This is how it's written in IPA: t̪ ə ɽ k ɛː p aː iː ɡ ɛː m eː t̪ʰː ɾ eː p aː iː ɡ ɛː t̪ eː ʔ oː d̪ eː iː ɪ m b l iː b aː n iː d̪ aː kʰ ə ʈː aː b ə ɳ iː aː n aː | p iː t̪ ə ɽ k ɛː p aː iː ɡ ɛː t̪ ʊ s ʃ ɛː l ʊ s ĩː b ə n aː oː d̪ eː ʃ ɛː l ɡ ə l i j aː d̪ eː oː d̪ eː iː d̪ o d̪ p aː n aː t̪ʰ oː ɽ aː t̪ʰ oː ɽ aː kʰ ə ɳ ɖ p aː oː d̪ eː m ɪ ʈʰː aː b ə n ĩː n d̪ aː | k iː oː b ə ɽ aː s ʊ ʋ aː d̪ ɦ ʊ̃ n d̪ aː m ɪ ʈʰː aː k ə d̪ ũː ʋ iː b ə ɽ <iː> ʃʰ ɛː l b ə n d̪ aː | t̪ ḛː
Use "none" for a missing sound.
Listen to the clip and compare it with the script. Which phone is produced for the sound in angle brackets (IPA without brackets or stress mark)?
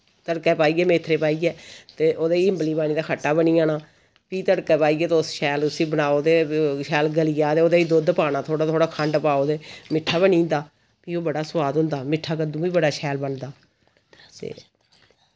aː